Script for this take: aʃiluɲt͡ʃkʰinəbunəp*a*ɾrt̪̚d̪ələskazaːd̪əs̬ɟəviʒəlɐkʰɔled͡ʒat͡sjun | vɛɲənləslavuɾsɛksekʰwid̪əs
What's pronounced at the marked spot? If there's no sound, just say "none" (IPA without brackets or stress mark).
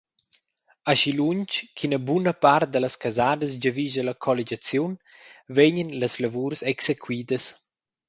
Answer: a